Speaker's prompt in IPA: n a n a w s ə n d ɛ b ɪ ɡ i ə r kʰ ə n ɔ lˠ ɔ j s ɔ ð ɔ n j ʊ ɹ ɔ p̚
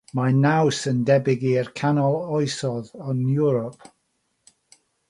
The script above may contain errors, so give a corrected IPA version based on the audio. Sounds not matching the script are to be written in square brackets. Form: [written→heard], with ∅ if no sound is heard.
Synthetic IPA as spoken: [n→m] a n a w s ə n d ɛ b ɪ ɡ i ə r kʰ [ə→a] n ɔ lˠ ɔ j s ɔ ð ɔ n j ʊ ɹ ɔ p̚